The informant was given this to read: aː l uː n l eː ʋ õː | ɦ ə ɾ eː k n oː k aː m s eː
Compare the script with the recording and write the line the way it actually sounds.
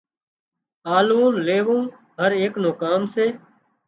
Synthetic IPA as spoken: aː l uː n l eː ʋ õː | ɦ ə ɾ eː k n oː k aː m s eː